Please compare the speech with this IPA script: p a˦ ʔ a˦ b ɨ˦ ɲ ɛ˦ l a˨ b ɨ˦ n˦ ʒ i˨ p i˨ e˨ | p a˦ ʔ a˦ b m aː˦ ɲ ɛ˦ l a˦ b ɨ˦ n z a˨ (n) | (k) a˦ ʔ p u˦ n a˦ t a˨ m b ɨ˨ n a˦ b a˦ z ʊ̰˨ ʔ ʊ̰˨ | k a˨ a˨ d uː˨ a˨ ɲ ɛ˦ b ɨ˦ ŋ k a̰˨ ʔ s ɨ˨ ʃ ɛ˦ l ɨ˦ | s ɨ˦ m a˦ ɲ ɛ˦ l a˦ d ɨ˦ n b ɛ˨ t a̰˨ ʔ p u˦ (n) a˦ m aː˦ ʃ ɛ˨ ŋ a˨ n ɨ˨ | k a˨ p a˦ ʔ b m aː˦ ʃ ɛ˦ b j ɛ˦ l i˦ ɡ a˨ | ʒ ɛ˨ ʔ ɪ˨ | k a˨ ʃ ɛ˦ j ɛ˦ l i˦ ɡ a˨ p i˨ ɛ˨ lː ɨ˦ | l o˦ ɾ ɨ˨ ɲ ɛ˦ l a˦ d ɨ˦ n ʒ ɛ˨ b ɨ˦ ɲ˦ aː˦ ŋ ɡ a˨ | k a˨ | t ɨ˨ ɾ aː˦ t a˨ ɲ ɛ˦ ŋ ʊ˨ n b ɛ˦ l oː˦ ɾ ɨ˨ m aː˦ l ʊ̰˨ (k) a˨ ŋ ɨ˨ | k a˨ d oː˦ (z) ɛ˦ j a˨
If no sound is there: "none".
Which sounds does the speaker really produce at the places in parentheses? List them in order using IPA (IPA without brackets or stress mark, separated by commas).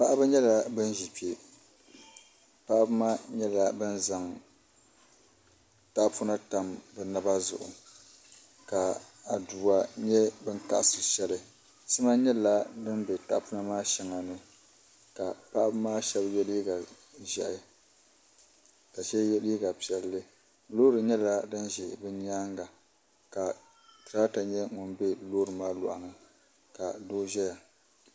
ŋ, t, n, ʔ, ʒ